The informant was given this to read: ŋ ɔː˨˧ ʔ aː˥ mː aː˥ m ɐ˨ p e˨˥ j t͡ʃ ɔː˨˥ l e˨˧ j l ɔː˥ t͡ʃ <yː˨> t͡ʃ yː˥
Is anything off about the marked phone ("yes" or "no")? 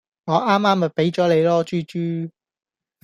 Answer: yes